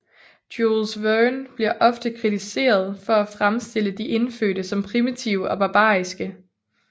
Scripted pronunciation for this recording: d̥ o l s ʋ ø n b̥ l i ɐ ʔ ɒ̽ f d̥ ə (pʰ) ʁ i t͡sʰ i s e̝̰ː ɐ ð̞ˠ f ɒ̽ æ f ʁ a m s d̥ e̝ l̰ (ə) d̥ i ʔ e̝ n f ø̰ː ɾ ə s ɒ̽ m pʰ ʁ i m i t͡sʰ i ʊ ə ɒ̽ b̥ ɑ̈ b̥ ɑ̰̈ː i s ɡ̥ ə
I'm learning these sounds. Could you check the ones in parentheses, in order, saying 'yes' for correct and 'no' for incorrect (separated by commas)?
no, yes